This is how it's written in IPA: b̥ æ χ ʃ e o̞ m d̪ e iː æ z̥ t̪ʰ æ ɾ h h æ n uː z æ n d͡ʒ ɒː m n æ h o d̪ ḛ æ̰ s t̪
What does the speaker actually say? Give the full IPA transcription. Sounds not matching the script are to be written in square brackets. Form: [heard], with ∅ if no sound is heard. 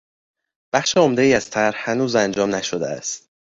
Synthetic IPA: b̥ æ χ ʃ e o̞ m d̪ e iː æ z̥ t̪ʰ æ ɾ h h æ n uː z æ n d͡ʒ ɒː m n æ [ʃ] o d̪ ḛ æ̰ s t̪